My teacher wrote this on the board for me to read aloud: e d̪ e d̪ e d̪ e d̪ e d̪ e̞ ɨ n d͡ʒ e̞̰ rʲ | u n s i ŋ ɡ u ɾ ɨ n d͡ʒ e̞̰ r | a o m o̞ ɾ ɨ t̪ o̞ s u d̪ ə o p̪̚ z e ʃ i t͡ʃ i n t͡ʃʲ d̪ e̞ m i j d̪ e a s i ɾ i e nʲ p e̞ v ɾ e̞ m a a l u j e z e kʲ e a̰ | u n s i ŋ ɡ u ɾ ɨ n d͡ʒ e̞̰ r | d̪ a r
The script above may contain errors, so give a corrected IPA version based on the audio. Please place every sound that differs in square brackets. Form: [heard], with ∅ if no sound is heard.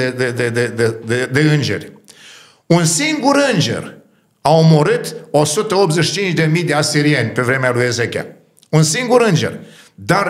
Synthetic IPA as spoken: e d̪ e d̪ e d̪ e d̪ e d̪ e̞ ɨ n d͡ʒ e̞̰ rʲ | u n s i ŋ ɡ u ɾ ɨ n d͡ʒ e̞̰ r | a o m o̞ ɾ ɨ t̪ o̞ s u [t̪] ə o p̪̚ z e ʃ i t͡ʃ i n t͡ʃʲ d̪ e̞ m i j d̪ e a s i ɾ i e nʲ p e̞ v ɾ e̞ m [e] a l u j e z e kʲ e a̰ | u n s i ŋ ɡ u ɾ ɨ n d͡ʒ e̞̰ r | d̪ a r